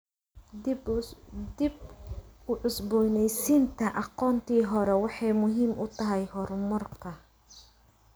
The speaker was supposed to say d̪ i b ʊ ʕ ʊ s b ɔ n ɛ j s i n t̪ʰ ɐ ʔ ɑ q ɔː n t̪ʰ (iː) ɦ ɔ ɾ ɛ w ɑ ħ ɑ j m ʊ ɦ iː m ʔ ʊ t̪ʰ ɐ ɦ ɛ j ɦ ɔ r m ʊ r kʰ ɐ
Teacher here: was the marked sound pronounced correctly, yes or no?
yes